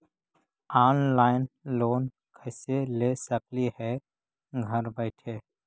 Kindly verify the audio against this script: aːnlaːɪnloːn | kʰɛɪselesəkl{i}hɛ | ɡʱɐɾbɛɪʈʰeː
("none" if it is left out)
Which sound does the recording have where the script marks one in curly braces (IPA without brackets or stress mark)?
i